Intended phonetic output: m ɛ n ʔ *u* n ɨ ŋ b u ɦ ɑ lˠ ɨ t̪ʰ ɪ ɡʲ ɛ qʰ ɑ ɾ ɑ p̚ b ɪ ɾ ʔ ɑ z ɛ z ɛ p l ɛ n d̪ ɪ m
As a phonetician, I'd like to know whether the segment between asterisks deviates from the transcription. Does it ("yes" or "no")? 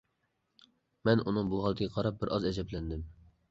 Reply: no